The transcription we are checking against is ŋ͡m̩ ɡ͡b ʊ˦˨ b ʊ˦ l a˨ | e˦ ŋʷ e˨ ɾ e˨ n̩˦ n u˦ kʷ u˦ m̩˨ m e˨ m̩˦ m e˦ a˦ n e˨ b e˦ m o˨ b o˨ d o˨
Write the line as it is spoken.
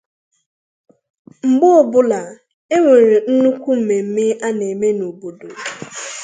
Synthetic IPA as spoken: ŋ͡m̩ ɡ͡b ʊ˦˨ b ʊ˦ l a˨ | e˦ ŋʷ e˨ ɾ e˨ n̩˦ n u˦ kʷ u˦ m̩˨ m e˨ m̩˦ m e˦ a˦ n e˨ m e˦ n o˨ b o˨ d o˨